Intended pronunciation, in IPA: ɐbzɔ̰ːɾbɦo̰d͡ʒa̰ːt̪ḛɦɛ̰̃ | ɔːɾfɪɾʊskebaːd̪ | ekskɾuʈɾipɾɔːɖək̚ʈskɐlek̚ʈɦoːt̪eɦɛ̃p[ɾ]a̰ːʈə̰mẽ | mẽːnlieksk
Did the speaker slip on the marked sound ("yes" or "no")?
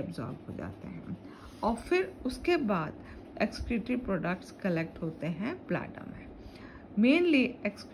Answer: yes